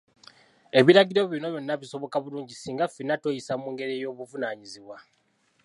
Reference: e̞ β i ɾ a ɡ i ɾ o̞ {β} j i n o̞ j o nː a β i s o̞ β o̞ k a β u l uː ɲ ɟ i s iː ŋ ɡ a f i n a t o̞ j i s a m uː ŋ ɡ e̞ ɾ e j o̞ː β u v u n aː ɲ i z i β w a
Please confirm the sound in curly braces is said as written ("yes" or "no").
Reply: yes